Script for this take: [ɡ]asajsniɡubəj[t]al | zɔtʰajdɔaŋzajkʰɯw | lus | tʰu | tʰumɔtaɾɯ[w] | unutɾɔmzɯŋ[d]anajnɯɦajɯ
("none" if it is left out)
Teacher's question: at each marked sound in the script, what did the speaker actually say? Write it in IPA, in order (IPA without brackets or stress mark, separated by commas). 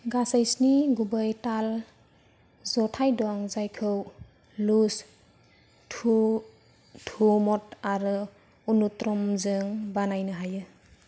ɡ, t, none, b